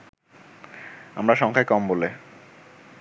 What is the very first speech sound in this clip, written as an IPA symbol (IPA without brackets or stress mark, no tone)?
a